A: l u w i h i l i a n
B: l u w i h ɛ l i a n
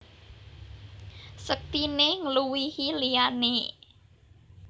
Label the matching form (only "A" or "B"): A